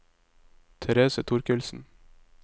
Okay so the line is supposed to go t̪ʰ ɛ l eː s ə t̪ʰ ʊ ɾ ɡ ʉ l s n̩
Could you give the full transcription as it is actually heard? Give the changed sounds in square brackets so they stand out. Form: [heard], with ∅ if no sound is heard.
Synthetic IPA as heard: t̪ʰ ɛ [ɾ] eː s ə t̪ʰ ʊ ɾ [k] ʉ l s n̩

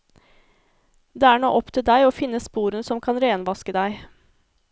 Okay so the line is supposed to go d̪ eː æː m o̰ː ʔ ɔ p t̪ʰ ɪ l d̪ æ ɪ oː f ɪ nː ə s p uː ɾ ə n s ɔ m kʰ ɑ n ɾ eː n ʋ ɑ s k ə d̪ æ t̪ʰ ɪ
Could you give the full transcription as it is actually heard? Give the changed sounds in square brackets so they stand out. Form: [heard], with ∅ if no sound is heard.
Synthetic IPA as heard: d̪ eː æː [ɳ] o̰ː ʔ ɔ p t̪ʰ ɪ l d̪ æ ɪ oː f ɪ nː ə s p uː ɾ ə n s ɔ m kʰ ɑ n ɾ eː n ʋ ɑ s k ə d̪ æ [∅] ɪ

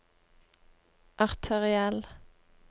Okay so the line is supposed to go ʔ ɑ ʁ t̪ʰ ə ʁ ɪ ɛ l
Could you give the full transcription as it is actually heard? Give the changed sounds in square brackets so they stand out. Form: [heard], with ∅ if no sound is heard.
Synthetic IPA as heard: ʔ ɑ ʁ t̪ʰ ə ʁ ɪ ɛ l

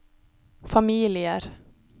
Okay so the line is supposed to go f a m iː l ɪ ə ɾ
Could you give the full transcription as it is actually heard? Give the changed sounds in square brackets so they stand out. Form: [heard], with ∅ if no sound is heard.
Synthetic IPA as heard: f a m iː l ɪ ə ɾ

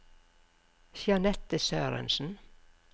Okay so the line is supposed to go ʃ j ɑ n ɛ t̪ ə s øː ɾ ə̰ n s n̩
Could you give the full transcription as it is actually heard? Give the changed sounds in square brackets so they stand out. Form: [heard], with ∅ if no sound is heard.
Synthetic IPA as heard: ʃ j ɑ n ɛ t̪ ə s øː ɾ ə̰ n s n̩

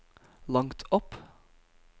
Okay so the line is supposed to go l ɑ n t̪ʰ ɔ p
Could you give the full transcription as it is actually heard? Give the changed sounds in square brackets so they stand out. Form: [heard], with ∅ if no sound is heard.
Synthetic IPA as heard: l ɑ [ŋ] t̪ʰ ɔ p

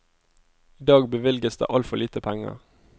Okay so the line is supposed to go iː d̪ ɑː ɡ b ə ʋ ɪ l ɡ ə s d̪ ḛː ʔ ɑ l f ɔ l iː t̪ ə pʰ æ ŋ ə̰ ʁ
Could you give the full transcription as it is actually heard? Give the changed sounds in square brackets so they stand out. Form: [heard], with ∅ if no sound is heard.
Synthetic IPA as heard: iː d̪ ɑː ɡ b ə ʋ ɪ l ɡ ə s d̪ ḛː ʔ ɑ l f ɔ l iː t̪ ə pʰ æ ŋ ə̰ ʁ

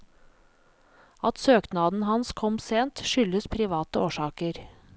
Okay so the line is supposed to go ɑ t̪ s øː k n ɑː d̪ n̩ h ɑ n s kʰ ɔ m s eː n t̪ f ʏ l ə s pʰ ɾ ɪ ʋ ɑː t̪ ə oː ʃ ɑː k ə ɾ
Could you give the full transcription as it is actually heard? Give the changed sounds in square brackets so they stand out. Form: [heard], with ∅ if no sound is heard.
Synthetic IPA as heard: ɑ t̪ s øː k n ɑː d̪ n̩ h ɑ n s kʰ ɔ m s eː n t̪ [ʃ] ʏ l ə s pʰ ɾ ɪ ʋ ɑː t̪ ə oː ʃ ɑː k ə ɾ

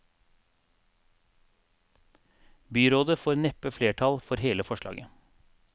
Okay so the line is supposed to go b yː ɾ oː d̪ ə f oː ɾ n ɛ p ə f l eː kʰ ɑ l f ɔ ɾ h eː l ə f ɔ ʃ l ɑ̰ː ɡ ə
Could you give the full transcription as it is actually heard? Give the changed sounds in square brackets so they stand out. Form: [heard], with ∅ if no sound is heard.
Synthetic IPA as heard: b yː ɾ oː d̪ ə f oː ɾ n ɛ p ə f l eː [ʈʰ] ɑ l f ɔ ɾ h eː l ə f ɔ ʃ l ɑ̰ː ɡ ə

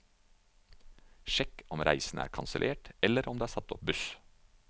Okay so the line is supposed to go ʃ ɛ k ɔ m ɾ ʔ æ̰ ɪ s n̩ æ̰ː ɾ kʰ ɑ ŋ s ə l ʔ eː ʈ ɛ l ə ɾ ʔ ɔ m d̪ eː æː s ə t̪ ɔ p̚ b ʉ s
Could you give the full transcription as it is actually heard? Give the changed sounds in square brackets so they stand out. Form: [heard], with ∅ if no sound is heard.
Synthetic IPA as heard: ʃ ɛ k ɔ m ɾ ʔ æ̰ ɪ s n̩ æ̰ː ɾ kʰ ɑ [n] s ə l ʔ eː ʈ ɛ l ə ɾ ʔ ɔ m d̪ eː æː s [ɑ] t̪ ɔ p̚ b ʉ s

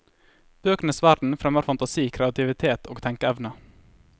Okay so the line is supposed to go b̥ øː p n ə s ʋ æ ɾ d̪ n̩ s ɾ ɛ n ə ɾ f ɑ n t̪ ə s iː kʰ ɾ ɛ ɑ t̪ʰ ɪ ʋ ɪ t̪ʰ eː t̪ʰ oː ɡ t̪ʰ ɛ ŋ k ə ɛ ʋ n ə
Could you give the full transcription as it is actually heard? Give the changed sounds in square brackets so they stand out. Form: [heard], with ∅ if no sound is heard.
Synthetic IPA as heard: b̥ øː [k] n ə s ʋ æ ɾ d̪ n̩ [f] ɾ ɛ [m] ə ɾ f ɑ n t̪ [ɑ] s iː kʰ ɾ ɛ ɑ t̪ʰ ɪ ʋ ɪ t̪ʰ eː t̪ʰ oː ɡ t̪ʰ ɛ ŋ k ə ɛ ʋ n ə

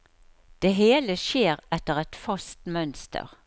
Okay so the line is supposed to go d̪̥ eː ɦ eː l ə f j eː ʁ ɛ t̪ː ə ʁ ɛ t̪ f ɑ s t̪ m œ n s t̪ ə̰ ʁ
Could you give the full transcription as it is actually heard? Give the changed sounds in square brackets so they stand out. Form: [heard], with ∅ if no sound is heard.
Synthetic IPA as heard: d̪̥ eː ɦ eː l ə [ʃ] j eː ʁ ɛ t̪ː ə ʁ ɛ t̪ f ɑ s t̪ m œ n s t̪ ə̰ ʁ

